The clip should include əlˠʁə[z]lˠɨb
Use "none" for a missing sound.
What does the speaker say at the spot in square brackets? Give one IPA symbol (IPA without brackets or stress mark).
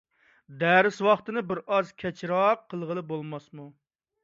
none